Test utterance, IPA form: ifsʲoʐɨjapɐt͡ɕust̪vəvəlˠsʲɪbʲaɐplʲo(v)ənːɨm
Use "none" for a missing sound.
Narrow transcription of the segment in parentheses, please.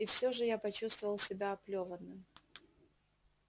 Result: v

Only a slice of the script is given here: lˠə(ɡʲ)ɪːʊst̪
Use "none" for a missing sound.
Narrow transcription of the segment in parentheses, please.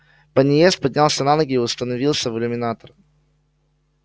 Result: ɡʲ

